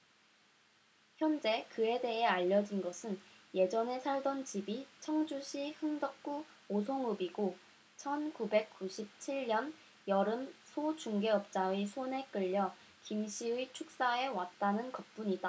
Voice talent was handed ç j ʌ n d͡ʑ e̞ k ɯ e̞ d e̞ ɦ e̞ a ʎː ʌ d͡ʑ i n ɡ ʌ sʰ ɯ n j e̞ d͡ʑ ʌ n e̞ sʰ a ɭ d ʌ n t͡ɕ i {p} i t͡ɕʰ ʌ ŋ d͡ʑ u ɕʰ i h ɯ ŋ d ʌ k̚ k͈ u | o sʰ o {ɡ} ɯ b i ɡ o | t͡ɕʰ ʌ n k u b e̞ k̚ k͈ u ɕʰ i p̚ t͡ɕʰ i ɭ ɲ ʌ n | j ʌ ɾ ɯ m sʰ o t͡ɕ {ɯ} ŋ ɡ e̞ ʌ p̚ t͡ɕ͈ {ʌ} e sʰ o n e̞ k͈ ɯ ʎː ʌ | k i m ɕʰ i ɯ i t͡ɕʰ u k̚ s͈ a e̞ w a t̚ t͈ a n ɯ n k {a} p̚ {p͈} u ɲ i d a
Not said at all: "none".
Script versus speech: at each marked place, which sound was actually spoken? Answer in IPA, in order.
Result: b, ŋ, u, a, ʌ, p͈

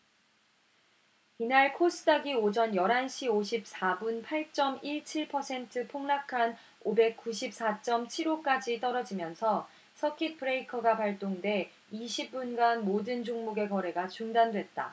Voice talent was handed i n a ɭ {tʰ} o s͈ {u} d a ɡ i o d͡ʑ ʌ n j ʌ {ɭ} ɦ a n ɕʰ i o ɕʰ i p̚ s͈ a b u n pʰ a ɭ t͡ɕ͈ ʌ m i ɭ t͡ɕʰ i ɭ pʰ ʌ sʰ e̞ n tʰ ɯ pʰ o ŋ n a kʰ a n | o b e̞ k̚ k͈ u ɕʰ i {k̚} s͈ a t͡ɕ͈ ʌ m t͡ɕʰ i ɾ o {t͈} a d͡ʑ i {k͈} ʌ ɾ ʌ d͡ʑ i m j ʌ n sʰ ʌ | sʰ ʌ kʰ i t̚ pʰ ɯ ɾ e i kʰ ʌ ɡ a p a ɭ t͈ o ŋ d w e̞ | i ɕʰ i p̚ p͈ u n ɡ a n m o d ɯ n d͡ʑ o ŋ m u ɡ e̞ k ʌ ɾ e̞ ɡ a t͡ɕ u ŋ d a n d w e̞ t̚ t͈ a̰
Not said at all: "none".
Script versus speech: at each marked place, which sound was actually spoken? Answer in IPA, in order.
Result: kʰ, ɯ, ɾ, p̚, k͈, t͈

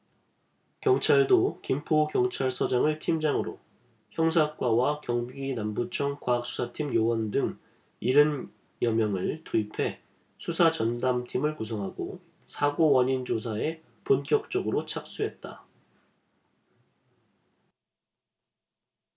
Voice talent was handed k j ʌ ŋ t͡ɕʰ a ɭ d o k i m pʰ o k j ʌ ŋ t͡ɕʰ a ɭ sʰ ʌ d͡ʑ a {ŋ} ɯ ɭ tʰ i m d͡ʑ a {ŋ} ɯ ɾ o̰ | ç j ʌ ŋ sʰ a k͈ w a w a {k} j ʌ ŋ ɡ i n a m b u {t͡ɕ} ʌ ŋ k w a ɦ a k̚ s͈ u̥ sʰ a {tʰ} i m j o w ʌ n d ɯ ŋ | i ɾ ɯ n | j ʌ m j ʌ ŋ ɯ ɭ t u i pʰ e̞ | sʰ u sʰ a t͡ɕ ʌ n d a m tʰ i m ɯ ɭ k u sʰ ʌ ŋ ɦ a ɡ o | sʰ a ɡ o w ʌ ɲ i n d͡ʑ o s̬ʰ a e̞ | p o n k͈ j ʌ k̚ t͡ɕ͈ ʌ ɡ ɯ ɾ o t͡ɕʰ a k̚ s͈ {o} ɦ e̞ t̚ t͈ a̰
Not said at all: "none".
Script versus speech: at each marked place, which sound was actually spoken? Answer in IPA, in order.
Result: ŋ, ŋ, k, t͡ɕʰ, tʰ, u

